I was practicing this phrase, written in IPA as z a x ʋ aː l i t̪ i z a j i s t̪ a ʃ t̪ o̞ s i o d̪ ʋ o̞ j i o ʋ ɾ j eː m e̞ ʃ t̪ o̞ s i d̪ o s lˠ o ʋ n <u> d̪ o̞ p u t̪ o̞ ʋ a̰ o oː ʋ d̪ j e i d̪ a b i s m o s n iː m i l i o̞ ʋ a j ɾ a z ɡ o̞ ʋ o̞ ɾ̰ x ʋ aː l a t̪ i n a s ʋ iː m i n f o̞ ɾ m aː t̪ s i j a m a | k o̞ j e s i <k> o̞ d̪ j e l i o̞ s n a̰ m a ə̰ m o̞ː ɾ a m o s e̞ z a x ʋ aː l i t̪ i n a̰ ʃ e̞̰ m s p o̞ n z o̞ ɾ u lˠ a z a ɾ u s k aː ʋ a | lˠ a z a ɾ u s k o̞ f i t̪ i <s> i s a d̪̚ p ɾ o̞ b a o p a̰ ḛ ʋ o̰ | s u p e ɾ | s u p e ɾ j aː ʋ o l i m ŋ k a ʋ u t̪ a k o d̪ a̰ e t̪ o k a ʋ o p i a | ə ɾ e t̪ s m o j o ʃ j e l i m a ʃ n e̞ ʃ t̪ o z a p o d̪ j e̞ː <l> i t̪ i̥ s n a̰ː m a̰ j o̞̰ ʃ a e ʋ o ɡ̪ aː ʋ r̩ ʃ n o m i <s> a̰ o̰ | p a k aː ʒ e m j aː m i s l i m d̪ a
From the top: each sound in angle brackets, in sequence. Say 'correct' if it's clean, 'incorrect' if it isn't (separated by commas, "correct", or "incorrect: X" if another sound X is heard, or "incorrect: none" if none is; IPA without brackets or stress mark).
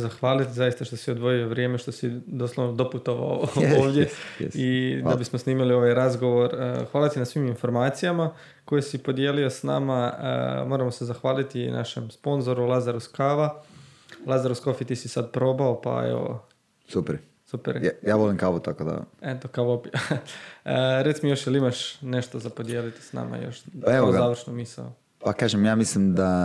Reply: incorrect: o, incorrect: p, correct, correct, correct